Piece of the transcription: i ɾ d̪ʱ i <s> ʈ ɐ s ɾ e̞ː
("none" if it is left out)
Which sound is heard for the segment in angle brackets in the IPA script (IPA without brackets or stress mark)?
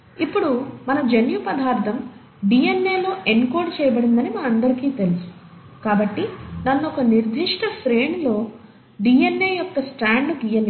ʂ